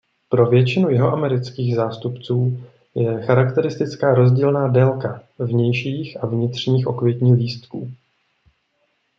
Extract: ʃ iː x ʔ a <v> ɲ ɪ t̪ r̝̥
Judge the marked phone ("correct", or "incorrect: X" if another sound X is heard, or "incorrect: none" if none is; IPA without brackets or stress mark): correct